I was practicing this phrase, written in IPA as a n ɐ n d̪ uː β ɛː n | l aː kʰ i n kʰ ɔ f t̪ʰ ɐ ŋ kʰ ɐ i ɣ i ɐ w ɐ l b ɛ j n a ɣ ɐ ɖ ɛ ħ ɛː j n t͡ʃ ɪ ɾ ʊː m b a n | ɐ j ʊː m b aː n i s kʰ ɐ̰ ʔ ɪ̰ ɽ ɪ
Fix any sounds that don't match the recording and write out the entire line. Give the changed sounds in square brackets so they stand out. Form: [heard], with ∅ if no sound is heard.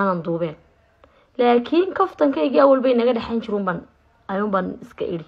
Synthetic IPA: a n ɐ n d̪ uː β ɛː n | l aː kʰ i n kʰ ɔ f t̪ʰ ɐ ŋ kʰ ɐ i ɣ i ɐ w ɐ l b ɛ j n [ɐ] ɣ ɐ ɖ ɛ ħ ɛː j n t͡ʃ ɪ ɾ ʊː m b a n | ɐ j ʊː m b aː n [ɪ] s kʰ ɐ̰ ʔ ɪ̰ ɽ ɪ

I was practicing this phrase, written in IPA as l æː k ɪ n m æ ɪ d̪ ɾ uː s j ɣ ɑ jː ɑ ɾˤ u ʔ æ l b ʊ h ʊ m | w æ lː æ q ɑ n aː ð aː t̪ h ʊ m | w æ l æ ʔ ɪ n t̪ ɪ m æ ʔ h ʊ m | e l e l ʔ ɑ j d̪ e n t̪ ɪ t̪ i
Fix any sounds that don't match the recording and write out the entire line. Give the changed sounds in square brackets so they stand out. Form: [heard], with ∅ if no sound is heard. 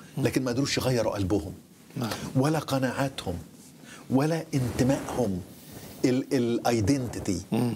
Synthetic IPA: l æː k ɪ n m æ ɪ d̪ ɾ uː [ʃ] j ɣ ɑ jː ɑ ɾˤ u ʔ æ l b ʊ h ʊ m | w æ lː æ q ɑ n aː [ʕ] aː t̪ h ʊ m | w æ l æ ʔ ɪ n t̪ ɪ m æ ʔ h ʊ m | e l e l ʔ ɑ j d̪ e n t̪ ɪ t̪ i

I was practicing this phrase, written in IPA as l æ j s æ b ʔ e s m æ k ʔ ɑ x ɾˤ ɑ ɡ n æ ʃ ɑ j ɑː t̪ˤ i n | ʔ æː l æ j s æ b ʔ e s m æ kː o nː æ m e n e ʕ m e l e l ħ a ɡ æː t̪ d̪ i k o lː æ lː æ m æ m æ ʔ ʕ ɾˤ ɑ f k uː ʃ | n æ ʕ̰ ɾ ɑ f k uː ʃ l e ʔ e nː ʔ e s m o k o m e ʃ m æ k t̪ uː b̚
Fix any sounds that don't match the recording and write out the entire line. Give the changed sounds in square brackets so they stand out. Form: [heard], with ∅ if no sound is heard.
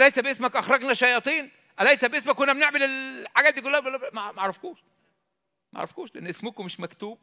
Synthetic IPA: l æ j s æ b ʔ e s m æ k ʔ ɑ x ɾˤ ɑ ɡ n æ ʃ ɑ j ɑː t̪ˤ [iː] n | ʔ [æ] l æ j s æ b ʔ e s m æ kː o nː æ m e n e ʕ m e l e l ħ a ɡ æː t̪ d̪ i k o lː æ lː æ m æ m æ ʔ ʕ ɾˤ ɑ f k uː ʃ | [m] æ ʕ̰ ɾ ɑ f k uː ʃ l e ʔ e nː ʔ e s m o k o m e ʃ m æ k t̪ uː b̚

